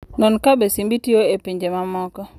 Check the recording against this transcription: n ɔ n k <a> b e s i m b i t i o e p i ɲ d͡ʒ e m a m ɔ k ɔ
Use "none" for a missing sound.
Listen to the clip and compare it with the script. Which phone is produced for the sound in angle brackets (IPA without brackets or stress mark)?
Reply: a